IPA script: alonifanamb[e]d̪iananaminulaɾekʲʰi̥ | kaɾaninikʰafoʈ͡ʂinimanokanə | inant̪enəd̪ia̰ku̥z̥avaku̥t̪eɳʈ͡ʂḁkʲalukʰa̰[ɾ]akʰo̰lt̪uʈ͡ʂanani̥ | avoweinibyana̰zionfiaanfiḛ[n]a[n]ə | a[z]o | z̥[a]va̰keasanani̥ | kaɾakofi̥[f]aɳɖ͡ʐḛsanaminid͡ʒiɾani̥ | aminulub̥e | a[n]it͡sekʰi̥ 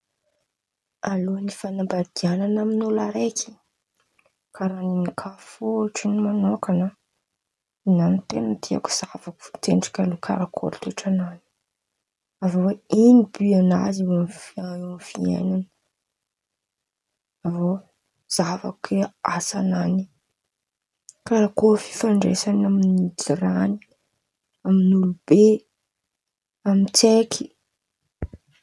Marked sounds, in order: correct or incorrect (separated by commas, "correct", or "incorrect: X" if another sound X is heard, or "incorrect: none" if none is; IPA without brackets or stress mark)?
incorrect: a, correct, correct, correct, incorrect: v, correct, correct, incorrect: m